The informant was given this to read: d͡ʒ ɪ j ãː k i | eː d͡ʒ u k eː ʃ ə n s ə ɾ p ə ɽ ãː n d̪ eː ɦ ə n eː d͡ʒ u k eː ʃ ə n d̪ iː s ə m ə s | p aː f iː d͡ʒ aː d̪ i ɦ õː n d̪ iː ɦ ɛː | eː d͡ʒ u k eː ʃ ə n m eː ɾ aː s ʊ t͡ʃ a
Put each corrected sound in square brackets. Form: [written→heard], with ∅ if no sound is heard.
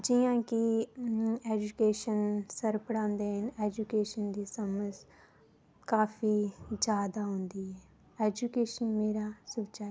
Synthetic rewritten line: d͡ʒ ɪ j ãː k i | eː d͡ʒ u k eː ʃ ə n s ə ɾ p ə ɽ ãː n d̪ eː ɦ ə n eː d͡ʒ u k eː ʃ ə n d̪ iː s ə m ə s | [p→k] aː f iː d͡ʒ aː d̪ [i→a] ɦ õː n d̪ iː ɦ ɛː | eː d͡ʒ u k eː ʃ ə n m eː ɾ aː s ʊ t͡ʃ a